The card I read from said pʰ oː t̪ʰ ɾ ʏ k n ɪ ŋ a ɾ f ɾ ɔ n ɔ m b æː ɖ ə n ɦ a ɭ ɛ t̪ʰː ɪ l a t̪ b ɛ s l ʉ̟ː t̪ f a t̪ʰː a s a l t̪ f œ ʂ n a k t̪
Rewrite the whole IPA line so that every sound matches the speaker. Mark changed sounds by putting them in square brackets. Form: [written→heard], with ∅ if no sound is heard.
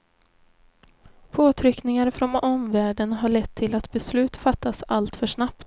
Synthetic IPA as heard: pʰ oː t̪ʰ ɾ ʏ k n ɪ ŋ a ɾ f ɾ ɔ n ɔ m [b→v] æː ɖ ə n ɦ a ɭ ɛ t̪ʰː ɪ l a t̪ b ɛ s l ʉ̟ː t̪ f a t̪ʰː a s a l t̪ f œ ʂ n a [k→p] t̪